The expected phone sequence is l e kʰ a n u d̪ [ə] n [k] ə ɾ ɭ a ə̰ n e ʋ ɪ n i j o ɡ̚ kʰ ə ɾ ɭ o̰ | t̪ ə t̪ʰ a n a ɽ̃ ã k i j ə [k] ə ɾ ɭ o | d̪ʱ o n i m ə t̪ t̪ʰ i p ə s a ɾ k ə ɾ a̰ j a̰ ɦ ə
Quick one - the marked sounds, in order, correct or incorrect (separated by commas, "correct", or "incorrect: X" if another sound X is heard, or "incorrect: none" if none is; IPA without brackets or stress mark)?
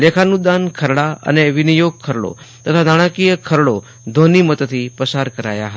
incorrect: a, incorrect: kʰ, incorrect: kʰ